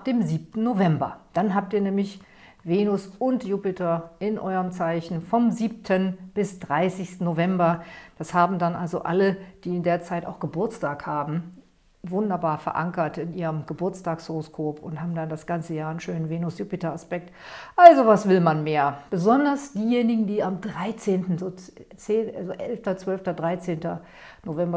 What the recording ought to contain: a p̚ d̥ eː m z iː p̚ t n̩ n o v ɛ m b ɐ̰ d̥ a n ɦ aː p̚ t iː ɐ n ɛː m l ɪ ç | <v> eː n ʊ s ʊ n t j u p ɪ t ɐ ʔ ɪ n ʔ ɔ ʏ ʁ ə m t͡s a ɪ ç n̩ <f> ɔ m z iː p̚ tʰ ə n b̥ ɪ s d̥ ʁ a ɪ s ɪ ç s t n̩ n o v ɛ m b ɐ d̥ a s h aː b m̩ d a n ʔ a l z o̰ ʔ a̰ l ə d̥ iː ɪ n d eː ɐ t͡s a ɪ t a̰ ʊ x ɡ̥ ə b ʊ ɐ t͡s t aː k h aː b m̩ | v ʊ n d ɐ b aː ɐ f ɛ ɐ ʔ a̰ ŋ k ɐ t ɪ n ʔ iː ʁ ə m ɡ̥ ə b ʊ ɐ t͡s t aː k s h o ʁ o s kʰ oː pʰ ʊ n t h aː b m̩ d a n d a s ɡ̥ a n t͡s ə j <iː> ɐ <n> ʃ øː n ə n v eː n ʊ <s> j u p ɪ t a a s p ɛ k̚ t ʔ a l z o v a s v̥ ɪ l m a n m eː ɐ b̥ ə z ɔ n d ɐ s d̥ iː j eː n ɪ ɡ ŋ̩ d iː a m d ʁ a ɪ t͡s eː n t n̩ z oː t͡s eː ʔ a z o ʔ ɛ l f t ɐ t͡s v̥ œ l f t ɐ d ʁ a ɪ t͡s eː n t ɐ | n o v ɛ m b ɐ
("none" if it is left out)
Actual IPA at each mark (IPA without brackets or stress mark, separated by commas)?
v, f, aː, n, s